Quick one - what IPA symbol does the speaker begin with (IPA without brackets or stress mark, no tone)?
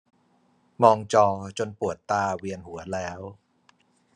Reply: m